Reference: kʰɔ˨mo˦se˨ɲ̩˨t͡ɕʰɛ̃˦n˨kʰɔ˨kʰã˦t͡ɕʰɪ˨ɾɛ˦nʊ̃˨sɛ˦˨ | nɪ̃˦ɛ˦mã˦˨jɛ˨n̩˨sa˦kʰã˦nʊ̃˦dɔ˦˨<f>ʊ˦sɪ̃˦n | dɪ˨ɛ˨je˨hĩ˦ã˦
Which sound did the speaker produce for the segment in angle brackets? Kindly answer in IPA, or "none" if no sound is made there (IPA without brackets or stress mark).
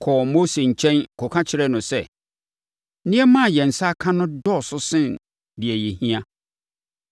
s